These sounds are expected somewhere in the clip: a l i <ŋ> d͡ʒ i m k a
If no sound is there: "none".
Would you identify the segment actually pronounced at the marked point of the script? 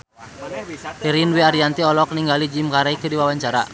none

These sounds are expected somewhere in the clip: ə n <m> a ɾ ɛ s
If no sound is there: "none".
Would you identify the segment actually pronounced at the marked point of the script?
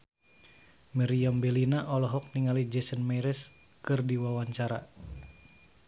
m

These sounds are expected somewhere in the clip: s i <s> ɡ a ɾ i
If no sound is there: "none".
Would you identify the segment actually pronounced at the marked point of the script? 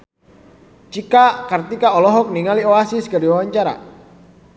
s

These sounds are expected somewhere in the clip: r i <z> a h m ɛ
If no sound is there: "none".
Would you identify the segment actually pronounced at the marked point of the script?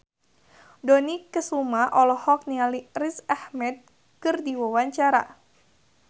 s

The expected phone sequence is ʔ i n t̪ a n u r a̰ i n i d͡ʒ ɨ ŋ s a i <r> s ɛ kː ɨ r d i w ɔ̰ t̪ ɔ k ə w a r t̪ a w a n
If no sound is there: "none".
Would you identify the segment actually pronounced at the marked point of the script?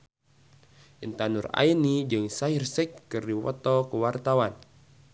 r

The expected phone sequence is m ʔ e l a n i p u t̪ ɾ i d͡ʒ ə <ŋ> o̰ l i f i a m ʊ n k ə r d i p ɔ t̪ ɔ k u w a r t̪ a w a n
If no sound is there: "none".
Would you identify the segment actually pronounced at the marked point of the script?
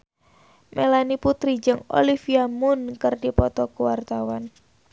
ŋ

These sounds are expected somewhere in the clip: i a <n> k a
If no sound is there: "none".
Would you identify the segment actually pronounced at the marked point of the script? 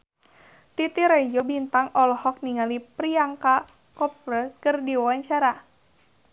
ŋ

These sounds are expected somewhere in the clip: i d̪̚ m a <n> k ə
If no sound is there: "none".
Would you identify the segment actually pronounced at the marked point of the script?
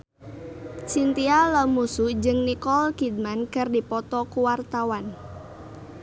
n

